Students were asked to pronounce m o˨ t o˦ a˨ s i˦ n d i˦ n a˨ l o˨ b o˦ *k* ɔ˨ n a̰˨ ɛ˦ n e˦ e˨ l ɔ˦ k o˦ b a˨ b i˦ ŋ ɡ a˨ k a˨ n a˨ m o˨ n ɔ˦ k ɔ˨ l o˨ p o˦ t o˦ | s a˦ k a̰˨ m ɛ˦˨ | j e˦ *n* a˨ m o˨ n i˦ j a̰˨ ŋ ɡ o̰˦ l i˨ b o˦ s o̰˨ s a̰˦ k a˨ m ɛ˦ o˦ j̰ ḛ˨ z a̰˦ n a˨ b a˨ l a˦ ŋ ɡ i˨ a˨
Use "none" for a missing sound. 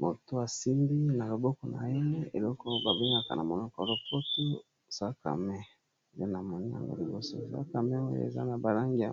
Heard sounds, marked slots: k, n

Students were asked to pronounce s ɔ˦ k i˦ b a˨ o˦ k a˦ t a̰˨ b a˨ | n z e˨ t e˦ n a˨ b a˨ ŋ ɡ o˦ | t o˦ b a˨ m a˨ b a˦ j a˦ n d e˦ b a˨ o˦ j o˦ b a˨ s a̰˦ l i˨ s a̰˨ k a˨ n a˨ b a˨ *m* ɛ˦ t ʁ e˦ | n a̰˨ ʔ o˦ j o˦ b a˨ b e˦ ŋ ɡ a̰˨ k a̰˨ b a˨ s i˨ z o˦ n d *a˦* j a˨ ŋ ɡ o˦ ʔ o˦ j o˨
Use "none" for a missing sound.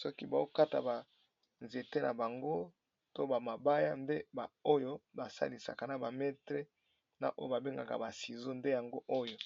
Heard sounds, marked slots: m, e˦

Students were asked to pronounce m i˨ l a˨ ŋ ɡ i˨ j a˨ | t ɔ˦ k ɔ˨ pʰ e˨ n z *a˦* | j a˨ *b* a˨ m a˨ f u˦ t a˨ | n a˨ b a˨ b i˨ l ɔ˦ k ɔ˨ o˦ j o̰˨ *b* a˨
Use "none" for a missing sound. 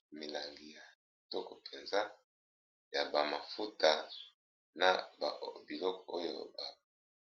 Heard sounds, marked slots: a˦, b, b

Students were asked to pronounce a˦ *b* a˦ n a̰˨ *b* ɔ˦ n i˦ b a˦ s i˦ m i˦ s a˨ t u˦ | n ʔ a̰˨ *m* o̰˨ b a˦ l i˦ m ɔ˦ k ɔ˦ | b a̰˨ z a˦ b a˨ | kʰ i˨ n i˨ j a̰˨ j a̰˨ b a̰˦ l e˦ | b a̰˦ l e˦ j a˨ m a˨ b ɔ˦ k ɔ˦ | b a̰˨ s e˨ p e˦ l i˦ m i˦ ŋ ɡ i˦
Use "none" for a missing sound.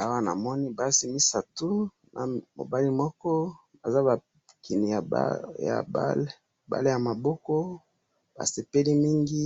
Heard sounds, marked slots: w, m, m

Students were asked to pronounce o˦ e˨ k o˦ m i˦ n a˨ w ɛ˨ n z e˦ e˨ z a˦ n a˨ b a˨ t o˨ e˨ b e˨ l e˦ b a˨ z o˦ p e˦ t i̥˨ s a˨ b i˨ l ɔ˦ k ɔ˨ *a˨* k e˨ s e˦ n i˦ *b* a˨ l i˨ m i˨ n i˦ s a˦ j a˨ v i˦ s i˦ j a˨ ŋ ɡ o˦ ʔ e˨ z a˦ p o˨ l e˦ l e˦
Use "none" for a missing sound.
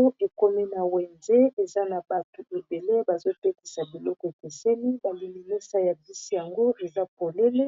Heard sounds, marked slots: e˨, b

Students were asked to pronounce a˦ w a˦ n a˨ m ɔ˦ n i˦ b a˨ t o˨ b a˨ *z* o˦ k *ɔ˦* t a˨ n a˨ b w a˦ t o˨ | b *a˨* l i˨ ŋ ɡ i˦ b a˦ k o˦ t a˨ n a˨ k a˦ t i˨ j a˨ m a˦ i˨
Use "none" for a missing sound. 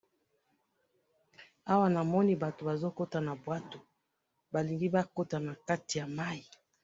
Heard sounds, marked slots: z, o˦, a˨

